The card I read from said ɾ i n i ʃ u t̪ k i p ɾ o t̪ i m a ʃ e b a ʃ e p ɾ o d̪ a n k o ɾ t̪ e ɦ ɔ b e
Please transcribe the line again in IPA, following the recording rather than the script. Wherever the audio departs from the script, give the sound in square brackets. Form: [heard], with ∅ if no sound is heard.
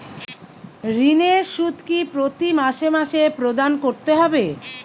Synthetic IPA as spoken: ɾ i n [e] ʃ u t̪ k i p ɾ o t̪ i m a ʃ e [m] a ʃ e p ɾ o d̪ a n k o ɾ t̪ e ɦ ɔ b e

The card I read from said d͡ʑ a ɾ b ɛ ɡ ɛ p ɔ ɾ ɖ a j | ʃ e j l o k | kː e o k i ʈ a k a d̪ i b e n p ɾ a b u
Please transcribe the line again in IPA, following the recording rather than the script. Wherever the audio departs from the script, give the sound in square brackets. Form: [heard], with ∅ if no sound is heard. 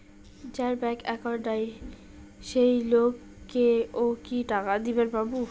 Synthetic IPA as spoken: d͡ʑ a ɾ b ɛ [k] ɛ [k] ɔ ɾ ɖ a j | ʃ e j l o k | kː e o k i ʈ a k a d̪ i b e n p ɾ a b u

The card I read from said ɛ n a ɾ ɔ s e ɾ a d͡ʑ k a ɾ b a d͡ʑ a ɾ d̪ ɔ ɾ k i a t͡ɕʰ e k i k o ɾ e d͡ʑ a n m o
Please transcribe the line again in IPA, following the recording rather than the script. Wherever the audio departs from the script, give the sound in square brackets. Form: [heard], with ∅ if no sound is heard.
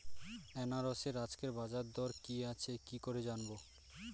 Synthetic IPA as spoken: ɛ n a ɾ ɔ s e ɾ a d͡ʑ k [e] ɾ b a d͡ʑ a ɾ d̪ ɔ ɾ k i a t͡ɕʰ e k i k o ɾ e d͡ʑ a n [b] o

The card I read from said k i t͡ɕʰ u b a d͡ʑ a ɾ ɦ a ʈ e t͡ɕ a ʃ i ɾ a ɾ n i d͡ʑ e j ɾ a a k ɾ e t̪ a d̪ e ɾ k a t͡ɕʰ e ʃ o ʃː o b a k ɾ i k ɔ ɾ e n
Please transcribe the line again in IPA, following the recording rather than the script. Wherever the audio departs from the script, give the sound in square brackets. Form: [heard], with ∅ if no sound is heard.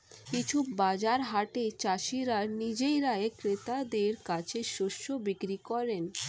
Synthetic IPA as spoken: k i t͡ɕʰ u b a d͡ʑ a ɾ ɦ a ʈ e t͡ɕ a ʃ i ɾ a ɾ n i d͡ʑ e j ɾ a [e] k ɾ e t̪ a d̪ e ɾ k a t͡ɕʰ e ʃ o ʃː o b [i] k ɾ i k ɔ ɾ e n

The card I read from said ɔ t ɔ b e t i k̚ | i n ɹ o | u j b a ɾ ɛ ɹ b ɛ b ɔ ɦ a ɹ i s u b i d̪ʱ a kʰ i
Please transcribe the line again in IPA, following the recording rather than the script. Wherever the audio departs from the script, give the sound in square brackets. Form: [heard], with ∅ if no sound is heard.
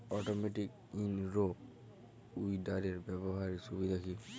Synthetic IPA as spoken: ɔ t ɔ [m] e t i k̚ | i n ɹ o | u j [d] a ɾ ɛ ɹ b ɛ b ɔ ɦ a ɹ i s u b i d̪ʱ a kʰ i

